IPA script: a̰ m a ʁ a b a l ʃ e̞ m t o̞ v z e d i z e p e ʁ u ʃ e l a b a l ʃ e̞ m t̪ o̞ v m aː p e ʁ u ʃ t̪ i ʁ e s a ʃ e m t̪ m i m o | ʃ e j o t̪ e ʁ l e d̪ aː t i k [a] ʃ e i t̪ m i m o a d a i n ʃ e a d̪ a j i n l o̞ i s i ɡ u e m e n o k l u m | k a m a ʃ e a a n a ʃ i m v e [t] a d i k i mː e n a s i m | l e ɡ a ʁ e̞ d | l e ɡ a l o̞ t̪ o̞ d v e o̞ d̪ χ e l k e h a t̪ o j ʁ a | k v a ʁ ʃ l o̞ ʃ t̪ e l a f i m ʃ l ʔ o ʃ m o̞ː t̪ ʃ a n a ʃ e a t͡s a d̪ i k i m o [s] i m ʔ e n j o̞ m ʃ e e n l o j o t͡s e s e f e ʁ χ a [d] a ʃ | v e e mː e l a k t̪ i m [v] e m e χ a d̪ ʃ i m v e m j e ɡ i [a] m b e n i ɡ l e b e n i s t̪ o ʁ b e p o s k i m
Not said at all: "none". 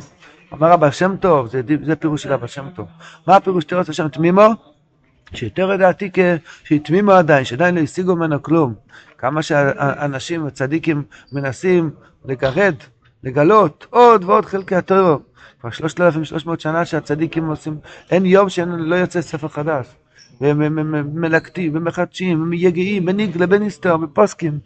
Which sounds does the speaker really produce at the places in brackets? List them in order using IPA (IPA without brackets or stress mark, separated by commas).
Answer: e, t͡s, s, d, v, i